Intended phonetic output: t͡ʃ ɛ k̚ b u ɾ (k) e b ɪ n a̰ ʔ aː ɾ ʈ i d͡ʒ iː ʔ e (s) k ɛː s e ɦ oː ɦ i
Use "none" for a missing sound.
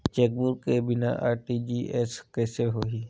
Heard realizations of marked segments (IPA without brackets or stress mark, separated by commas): k, s